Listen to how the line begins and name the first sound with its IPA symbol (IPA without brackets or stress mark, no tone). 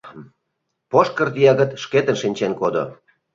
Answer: p